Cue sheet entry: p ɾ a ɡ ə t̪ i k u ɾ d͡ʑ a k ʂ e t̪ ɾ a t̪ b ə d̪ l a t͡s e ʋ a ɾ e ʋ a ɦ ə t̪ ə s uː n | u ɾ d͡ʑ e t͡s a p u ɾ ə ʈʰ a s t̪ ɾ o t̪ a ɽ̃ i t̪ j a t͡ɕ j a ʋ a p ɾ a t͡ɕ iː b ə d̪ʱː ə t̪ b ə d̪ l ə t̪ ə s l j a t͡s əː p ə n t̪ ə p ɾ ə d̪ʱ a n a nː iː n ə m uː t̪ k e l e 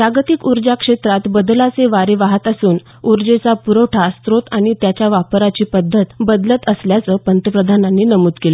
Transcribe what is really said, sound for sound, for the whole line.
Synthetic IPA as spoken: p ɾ a ɡ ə t̪ i k u ɾ d͡ʑ a k ʂ e t̪ ɾ a t̪ b ə d̪ l a t͡s e ʋ a ɾ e ʋ a ɦ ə t̪ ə s uː n | u ɾ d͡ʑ e t͡s a p u ɾ ə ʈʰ a s t̪ ɾ o t̪ a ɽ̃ i t̪ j a t͡ɕ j a ʋ a p ɾ a t͡ɕ iː p ə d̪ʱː ə t̪ b ə d̪ l ə t̪ ə s l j a t͡s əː p ə n t̪ ə p ɾ ə d̪ʱ a n a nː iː n ə m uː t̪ k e l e